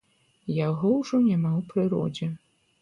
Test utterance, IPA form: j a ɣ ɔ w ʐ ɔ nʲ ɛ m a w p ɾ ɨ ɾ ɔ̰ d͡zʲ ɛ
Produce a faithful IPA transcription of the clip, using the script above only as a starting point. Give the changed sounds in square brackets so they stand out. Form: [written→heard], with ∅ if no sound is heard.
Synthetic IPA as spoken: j a ɣ ɔ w ʐ ɔ nʲ [ɛ→a] m a w p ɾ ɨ ɾ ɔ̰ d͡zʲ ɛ